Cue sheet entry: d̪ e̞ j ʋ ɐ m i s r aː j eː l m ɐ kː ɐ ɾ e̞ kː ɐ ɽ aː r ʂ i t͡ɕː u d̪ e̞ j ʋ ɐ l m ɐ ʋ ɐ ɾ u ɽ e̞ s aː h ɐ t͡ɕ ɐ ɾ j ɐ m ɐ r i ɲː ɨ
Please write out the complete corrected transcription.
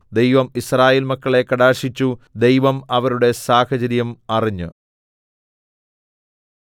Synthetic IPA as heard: d̪ e̞ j ʋ ɐ m i s r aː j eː l m ɐ kː ɐ ɭ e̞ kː ɐ ɽ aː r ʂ i t͡ɕː u d̪ e̞ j ʋ ɐ m ɐ ʋ ɐ ɾ u ɽ e̞ s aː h ɐ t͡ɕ ɐ ɾ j ɐ m ɐ r i ɲː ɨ

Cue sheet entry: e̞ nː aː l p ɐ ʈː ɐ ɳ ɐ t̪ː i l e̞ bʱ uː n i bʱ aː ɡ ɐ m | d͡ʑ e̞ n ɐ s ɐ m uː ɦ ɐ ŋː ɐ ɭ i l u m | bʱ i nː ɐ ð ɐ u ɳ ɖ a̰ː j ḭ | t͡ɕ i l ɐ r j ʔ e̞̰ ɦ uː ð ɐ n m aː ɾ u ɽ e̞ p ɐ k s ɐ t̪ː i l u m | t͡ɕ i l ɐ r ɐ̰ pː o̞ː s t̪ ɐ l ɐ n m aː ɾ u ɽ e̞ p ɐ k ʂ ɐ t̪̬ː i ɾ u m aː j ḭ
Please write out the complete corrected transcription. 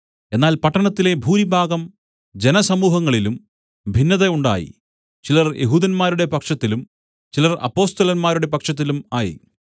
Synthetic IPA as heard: e̞ nː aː l p ɐ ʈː ɐ ɳ ɐ t̪ː i l e̞ bʱ uː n i bʱ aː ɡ ɐ m | d͡ʑ e̞ n ɐ s ɐ m uː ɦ ɐ ŋː ɐ ɭ i l u m | bʱ i nː ɐ ð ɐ u ɳ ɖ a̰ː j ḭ | t͡ɕ i l ɐ r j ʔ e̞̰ ɦ uː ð ɐ n m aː ɾ u ɽ e̞ p ɐ k ʂ ɐ t̪ː i l u m | t͡ɕ i l ɐ r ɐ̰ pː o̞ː s t̪ ɐ l ɐ n m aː ɾ u ɽ e̞ p ɐ k ʂ ɐ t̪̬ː i l u m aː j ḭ

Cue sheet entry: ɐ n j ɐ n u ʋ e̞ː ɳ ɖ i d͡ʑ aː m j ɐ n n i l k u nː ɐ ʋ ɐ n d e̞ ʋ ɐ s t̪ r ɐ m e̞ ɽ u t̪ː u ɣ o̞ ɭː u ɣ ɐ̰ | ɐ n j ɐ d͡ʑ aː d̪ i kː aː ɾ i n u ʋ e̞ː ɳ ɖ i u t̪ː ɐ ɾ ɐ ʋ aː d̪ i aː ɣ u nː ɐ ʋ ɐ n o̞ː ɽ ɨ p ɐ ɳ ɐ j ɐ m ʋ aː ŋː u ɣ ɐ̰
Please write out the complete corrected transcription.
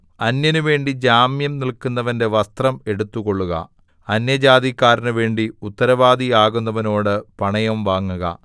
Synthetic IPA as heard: ɐ n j ɐ n u ʋ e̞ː ɳ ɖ i d͡ʑ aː m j ɐ m n i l k u nː ɐ ʋ ɐ n d e̞ ʋ ɐ s t̪ r ɐ m e̞ ɽ u t̪ː u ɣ o̞ ɭː u ɣ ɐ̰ | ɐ n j ɐ d͡ʑ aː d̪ i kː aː ɾ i n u ʋ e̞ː ɳ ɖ i u t̪ː ɐ ɾ ɐ ʋ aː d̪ i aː ɣ u nː ɐ ʋ ɐ n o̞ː ɽ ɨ p ɐ ɳ ɐ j ɐ m ʋ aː ŋː u ɣ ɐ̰

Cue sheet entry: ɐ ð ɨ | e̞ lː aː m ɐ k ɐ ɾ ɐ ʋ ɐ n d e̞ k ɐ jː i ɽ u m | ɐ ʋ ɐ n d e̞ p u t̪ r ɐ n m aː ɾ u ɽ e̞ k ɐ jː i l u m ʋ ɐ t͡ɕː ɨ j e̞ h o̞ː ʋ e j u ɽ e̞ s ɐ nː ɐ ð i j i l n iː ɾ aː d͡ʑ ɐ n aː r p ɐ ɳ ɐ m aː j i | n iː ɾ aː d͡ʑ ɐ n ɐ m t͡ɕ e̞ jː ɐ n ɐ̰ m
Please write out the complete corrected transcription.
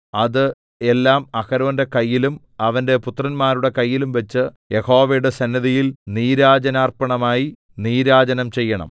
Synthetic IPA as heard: ɐ ð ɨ | e̞ lː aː m ɐ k ɐ ɾ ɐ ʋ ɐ n d e̞ k ɐ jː i l u m | ɐ ʋ ɐ n d e̞ p u t̪ r ɐ n m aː ɾ u ɽ e̞ k ɐ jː i l u m ʋ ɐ t͡ɕː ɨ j e̞ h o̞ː ʋ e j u ɽ e̞ s ɐ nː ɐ ð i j i l n iː ɾ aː d͡ʑ ɐ n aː r p ɐ ɳ ɐ m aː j i | n iː ɾ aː d͡ʑ ɐ n ɐ m t͡ɕ e̞ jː ɐ ɳ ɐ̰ m

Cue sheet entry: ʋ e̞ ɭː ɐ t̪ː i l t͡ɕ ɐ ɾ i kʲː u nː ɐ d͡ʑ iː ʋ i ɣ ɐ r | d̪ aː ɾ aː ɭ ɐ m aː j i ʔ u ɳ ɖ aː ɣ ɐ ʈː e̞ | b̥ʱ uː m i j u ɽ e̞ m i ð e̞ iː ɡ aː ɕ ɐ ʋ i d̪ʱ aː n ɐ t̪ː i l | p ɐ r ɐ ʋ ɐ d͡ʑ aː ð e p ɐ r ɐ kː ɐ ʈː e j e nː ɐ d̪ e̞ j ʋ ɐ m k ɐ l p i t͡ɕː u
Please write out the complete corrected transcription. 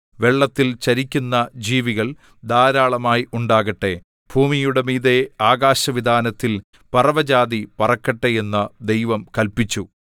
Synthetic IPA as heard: ʋ e̞ ɭː ɐ t̪ː i l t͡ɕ ɐ ɾ i kʲː u nː ɐ d͡ʑ iː ʋ i ɣ ɐ ɭ | d̪ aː ɾ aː ɭ ɐ m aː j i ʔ u ɳ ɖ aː ɣ ɐ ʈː e̞ | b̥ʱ uː m i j u ɽ e̞ m iː ð e̞ aː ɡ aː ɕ ɐ ʋ i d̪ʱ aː n ɐ t̪ː i l | p ɐ r ɐ ʋ ɐ d͡ʑ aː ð i p ɐ r ɐ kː ɐ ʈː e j e nː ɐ d̪ e̞ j ʋ ɐ m k ɐ l p i t͡ɕː u

